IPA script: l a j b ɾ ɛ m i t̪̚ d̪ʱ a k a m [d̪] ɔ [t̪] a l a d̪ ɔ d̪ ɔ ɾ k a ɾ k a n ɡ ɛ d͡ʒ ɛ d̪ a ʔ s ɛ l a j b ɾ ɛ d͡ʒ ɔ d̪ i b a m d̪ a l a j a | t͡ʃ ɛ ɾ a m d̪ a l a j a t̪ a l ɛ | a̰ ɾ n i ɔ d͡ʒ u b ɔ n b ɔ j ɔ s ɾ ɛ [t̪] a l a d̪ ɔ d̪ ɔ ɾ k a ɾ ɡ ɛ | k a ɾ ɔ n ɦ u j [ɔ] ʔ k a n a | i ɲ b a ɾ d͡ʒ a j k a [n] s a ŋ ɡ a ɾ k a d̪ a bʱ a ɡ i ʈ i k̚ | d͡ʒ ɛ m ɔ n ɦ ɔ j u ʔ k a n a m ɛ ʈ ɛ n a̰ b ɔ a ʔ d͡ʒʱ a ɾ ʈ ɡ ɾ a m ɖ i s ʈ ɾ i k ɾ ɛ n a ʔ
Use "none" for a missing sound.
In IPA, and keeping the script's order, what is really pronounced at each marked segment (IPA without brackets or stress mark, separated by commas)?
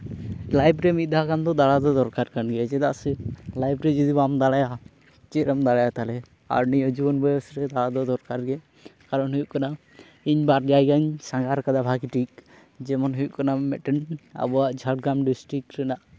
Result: d̪, d̪, d̪, u, ɲ